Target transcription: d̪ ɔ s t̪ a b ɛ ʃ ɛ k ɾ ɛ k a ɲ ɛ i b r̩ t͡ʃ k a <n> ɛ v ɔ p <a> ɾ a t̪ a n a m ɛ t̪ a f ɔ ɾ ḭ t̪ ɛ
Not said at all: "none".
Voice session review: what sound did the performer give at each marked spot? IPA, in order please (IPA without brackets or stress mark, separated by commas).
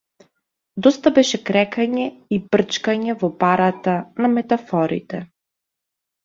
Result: ɲ, a